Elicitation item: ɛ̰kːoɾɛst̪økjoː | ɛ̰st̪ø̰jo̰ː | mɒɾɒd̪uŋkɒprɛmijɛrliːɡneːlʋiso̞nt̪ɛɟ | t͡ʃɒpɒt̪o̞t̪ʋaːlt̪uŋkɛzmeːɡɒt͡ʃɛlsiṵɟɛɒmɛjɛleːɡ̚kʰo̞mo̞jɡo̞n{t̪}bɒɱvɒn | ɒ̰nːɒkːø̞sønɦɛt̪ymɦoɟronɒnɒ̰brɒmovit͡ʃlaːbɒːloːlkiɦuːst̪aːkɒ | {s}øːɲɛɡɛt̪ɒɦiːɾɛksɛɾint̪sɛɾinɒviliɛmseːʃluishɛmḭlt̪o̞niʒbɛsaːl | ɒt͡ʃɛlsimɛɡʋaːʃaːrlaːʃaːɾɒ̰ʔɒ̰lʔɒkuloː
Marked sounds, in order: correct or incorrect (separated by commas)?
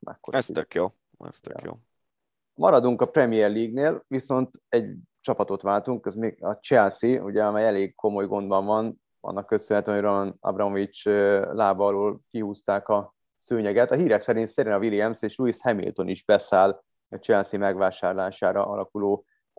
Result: incorrect, correct